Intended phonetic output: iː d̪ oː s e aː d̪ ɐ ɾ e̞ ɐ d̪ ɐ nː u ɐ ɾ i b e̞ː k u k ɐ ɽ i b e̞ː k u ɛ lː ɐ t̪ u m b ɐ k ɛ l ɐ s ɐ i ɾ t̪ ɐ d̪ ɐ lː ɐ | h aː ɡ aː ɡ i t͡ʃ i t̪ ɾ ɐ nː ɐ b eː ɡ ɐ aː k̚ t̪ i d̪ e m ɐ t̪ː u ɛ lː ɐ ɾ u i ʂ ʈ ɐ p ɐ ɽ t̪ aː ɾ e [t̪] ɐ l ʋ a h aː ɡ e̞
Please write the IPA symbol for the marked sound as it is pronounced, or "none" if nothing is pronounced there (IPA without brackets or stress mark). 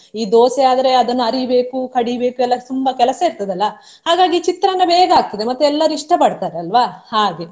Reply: none